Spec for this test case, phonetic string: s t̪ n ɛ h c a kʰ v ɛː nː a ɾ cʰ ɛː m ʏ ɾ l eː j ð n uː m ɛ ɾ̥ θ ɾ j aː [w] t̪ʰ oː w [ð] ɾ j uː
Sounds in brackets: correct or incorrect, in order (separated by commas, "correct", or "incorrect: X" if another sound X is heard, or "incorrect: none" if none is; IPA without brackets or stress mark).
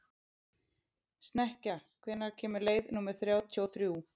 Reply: correct, incorrect: θ